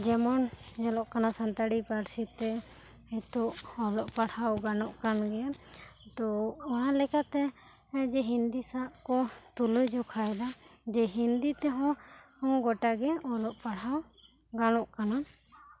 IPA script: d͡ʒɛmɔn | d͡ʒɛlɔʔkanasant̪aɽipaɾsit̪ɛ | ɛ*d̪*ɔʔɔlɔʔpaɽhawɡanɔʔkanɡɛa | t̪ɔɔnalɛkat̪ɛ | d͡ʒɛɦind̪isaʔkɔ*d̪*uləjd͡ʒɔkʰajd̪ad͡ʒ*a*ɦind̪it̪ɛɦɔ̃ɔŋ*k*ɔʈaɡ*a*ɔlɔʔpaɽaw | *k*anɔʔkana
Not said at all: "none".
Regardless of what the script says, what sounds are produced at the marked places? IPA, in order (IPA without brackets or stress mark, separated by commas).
t̪, t̪, ɛ, ɡ, ɛ, ɡ